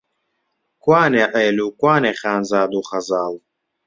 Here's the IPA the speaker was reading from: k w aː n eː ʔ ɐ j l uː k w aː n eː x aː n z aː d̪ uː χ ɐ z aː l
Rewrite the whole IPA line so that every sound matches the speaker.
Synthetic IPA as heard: k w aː n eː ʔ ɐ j l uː k w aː n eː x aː n z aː d̪ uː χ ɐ z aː l